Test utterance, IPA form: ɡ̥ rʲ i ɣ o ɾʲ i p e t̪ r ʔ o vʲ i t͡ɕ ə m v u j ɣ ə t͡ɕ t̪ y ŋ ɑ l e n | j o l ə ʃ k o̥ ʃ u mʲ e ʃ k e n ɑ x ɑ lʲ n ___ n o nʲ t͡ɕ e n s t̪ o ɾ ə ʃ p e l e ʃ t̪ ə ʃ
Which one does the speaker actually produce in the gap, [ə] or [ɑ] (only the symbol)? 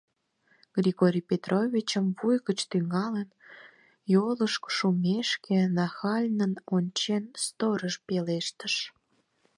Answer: ə